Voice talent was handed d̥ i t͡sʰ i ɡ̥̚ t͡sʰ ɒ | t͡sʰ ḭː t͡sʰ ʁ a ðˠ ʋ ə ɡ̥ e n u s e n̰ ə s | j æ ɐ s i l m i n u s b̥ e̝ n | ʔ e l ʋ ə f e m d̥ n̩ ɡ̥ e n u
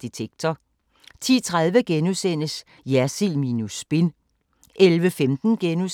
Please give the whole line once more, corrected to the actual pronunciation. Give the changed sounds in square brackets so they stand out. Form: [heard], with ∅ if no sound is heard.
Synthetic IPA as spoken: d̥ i t͡sʰ [e] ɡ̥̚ t͡sʰ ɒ | t͡sʰ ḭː t͡sʰ ʁ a ðˠ ʋ ə ɡ̥ e n u s e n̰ ə s | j æ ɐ s i l m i n u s b̥ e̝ n | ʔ e l ʋ ə f e m d̥ n̩ ɡ̥ e n u